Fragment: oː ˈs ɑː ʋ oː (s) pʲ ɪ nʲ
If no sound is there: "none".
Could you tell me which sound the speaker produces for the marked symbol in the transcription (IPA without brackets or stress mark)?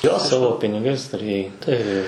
none